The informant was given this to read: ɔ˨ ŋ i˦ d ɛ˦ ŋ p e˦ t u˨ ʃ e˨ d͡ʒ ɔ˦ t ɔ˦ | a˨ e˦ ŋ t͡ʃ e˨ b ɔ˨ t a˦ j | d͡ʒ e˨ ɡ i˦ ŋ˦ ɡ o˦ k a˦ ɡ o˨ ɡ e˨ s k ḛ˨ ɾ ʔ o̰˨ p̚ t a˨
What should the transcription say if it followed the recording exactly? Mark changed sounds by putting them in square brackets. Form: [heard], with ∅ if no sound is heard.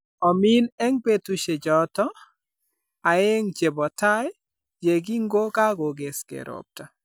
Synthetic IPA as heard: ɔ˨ [m] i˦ [n] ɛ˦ ŋ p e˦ t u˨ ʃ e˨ d͡ʒ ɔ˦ t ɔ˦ | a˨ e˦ ŋ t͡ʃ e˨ b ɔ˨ t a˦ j | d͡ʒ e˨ ɡ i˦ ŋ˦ ɡ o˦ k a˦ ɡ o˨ ɡ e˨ s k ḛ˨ ɾ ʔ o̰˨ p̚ t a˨